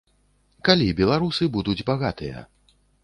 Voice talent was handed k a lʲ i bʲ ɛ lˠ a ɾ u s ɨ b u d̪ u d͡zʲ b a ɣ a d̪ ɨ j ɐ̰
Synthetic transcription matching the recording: k a lʲ i bʲ ɛ lˠ a ɾ u s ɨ b u d̪ u d͡zʲ b a ɣ a t̪ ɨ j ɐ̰

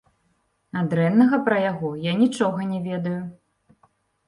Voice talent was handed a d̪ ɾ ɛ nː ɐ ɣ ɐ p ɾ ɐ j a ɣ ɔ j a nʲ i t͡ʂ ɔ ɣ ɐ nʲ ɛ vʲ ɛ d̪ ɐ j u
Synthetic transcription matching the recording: a d̪ ɾ ɛ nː ɐ ɣ ɐ p ɾ ɐ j a ɣ ɔ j a nʲ i t͡ʂ ɔ ɣ ɐ nʲ ɛ vʲ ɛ d̪ ɐ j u

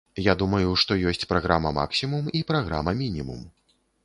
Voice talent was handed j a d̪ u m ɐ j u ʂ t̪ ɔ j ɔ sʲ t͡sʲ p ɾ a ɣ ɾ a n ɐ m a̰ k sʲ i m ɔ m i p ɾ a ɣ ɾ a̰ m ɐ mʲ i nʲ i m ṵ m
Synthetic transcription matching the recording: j a d̪ u m ɐ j u ʂ t̪ ɔ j ɔ sʲ t͡sʲ p ɾ a ɣ ɾ a m ɐ m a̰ k sʲ i m u m i p ɾ a ɣ ɾ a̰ m ɐ mʲ i nʲ i m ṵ m

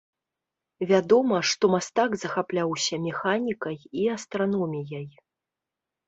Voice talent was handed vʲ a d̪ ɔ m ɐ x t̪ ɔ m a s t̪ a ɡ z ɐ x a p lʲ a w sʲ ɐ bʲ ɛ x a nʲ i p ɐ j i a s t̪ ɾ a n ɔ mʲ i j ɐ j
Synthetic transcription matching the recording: vʲ a d̪ ɔ m ɐ ʂ t̪ ɔ m a s t̪ a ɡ z ɐ x a p lʲ a w sʲ ɐ mʲ ɛ x a nʲ i k ɐ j i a s t̪ ɾ a n ɔ mʲ i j ɐ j

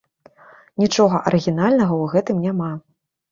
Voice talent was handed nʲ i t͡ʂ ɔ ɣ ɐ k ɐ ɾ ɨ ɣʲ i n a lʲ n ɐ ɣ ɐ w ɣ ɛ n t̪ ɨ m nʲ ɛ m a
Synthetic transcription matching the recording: nʲ i t͡ʂ ɔ ɣ ɐ ʔ ɐ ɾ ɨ ɣʲ i n a lʲ n ɐ ɣ ɐ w ɣ ɛ t̪ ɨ m nʲ a m a

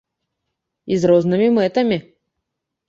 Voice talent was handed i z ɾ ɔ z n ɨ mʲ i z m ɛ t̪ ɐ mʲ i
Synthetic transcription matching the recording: i z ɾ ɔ z n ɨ mʲ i m ɛ t̪ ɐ mʲ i

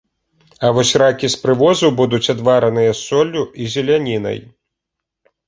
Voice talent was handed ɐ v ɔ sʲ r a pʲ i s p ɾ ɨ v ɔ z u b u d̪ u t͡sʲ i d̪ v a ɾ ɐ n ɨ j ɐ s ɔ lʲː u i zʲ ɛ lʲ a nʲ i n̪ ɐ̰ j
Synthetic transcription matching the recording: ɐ v ɔ sʲ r a kʲ i s p ɾ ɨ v ɔ z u b u d̪ u t͡sʲ a d̪ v a ɾ ɐ n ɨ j ɐ s ɔ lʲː u i zʲ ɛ lʲ a nʲ i n̪ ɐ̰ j

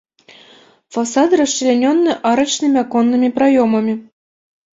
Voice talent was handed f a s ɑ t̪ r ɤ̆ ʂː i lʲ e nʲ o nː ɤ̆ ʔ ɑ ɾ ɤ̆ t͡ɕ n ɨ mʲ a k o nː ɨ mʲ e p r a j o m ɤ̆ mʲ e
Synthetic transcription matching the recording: f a s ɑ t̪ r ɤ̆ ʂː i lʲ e nʲ o nː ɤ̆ ʔ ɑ ɾ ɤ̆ t͡ɕ n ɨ mʲ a k o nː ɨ mʲ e p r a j o m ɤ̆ mʲ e

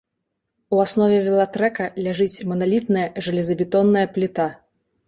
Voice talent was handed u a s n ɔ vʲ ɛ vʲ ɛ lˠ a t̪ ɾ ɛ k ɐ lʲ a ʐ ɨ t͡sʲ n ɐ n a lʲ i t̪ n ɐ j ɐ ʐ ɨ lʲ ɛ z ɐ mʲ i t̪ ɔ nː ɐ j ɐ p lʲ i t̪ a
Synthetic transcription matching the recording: u a s n ɔ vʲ ɛ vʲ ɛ lˠ a t̪ ɾ ɛ k ɐ lʲ a ʐ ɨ t͡sʲ m ɐ n a lʲ i t̪ n ɐ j ɐ ʐ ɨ lʲ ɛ z ɐ bʲ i t̪ ɔ nː ɐ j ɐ p lʲ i t̪ a

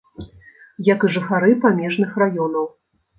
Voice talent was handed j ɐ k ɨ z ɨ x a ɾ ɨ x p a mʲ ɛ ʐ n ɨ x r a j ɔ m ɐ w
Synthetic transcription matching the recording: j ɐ k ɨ ʐ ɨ x a ɾ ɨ p a mʲ ɛ ʐ n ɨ x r a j ɔ n ɐ w

